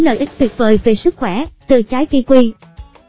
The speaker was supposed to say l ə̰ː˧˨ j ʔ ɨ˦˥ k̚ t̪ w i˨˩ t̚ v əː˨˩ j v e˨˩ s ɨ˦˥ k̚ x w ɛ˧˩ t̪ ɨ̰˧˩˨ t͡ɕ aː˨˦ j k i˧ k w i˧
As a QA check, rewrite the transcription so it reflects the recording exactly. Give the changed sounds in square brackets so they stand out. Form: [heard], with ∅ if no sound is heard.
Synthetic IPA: l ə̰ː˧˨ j ʔ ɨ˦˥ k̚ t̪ w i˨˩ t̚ v əː˨˩ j v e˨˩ s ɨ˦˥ k̚ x w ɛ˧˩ t̪ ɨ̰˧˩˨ t͡ɕ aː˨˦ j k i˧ k w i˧